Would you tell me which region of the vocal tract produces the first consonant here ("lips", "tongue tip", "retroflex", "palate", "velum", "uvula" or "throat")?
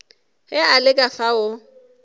throat